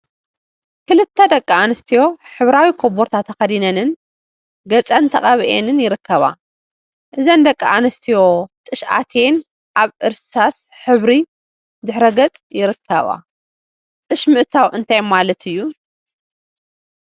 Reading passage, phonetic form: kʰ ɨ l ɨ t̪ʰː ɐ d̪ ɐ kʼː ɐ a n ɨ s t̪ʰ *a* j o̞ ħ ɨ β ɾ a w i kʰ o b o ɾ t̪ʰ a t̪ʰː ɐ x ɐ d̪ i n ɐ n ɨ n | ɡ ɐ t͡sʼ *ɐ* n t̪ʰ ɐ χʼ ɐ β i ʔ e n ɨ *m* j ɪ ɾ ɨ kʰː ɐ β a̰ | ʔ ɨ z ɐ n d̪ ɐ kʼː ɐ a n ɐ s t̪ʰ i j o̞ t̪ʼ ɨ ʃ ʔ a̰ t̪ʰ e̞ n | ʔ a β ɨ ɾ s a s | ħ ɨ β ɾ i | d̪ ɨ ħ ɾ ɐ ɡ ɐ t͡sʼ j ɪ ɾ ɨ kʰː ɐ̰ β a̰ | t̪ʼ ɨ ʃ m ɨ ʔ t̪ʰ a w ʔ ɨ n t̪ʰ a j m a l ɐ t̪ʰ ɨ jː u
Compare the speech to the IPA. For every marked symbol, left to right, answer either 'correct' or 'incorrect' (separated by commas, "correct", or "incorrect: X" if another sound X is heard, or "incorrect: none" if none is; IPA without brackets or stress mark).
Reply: incorrect: i, correct, incorrect: n